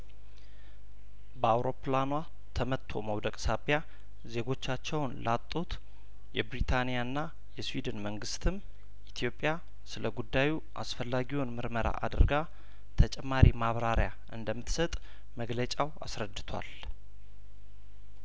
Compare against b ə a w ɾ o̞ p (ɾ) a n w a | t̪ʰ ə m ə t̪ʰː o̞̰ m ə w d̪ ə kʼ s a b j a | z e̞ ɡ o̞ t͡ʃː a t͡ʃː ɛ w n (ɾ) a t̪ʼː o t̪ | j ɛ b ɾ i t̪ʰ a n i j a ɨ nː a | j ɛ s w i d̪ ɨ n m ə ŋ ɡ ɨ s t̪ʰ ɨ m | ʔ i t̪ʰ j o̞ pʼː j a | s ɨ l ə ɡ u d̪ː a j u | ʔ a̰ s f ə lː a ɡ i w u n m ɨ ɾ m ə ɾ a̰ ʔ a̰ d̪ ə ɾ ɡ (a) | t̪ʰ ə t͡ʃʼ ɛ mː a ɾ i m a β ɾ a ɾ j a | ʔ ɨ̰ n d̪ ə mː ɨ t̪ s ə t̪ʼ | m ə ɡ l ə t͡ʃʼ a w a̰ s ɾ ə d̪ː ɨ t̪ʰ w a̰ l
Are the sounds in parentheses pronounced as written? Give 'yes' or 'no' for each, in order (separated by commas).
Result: no, no, yes